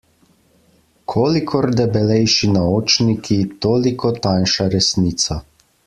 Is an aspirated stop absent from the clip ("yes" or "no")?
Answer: no